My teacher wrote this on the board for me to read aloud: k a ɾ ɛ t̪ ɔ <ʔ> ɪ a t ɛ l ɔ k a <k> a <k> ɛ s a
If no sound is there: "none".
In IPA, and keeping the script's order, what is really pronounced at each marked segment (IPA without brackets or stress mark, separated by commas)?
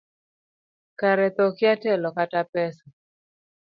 k, t, p